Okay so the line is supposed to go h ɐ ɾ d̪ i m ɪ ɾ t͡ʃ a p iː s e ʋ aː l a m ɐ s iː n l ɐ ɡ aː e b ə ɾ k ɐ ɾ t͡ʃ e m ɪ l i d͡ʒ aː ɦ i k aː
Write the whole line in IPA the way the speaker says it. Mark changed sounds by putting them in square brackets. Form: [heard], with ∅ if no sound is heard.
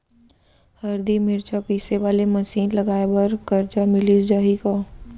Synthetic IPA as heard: h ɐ ɾ d̪ i m ɪ ɾ t͡ʃ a p iː s e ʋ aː l [e] m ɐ s iː n l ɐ ɡ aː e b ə ɾ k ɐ ɾ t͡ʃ [a] m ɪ l i d͡ʒ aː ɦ i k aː